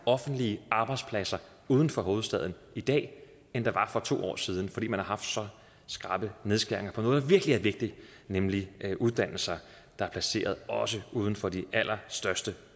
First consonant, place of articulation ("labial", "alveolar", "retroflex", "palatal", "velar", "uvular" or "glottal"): labial